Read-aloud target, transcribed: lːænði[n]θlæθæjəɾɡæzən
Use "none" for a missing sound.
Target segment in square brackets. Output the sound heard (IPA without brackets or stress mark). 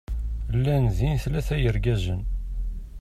n